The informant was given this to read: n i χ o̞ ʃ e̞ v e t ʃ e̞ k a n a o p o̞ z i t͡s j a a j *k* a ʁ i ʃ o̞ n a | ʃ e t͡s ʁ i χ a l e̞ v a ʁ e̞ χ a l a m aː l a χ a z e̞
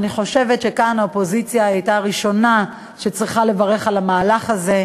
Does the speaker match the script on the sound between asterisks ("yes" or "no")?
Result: no